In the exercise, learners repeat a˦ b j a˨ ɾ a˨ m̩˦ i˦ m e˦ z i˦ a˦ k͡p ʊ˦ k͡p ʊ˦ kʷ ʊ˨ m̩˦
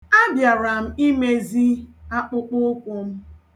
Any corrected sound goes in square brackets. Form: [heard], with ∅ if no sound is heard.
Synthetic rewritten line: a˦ b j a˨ ɾ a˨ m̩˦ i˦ m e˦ z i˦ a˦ k͡p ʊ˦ k͡p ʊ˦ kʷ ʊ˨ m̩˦

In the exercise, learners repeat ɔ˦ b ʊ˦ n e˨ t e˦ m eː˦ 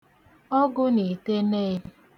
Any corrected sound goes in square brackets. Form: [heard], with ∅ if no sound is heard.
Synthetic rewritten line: ɔ˦ [ɡ] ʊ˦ n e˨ t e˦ [n] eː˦

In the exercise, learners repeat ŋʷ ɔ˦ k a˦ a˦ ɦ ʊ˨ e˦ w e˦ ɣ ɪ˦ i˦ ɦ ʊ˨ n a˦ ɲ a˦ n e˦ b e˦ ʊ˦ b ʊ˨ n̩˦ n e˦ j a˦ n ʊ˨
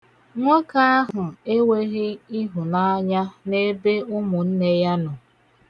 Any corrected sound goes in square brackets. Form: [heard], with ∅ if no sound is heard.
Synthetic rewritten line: ŋʷ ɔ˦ k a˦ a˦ ɦ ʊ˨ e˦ w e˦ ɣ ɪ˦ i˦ ɦ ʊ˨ n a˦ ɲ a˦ n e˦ b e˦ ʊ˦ [m] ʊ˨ n̩˦ n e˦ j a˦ n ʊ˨

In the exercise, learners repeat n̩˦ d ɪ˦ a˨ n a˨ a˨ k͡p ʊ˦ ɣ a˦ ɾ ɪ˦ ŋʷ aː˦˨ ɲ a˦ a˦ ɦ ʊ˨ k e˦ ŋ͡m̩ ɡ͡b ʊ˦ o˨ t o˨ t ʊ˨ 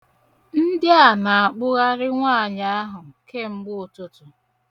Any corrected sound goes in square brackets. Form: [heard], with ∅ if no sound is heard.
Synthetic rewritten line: n̩˦ d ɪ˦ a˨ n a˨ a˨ k͡p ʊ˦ ɣ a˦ ɾ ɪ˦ ŋʷ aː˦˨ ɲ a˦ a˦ ɦ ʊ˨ k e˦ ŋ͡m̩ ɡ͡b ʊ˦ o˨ t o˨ t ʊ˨

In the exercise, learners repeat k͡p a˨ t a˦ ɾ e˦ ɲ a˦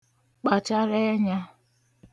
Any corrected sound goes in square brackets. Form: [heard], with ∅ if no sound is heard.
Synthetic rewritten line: k͡p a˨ [t͡ʃ] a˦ ɾ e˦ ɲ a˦

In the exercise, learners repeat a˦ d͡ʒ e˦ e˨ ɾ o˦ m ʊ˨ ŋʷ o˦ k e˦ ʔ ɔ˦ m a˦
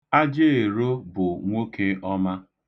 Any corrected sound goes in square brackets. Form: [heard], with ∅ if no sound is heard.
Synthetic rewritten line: a˦ d͡ʒ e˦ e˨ ɾ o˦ [b] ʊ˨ ŋʷ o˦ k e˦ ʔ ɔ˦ m a˦

